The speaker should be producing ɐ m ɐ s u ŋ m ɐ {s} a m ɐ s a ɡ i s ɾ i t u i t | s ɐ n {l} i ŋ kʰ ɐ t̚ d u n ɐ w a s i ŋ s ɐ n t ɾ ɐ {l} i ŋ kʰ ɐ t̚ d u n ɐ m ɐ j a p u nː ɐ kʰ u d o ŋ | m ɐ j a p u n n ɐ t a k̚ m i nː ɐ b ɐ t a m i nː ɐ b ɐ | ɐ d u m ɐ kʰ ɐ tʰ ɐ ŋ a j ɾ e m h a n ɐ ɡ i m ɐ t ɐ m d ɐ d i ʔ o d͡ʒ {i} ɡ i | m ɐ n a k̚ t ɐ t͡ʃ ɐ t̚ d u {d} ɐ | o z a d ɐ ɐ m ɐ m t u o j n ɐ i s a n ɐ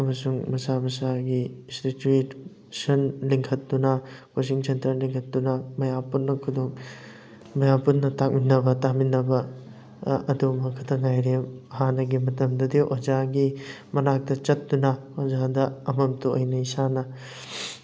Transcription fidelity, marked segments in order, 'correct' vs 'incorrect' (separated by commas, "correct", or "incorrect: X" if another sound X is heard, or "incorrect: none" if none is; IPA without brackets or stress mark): correct, correct, correct, incorrect: a, incorrect: n